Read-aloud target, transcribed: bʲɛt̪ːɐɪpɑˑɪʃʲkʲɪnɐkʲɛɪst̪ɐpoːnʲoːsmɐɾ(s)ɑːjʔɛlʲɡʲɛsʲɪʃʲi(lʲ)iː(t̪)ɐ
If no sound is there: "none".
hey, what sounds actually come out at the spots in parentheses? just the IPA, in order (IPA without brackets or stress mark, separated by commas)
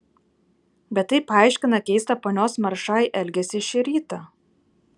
ʃ, ɾʲ, t̪